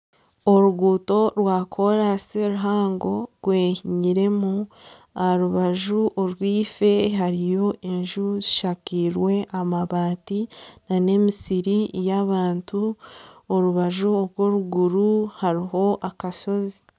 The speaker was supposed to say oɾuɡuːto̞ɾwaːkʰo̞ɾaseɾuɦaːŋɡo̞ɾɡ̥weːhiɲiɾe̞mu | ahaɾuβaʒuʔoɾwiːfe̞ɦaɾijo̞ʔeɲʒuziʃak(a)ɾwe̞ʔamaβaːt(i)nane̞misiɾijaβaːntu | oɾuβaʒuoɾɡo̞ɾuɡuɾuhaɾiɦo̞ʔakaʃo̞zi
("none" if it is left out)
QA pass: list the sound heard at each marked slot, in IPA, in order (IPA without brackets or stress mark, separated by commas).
i, i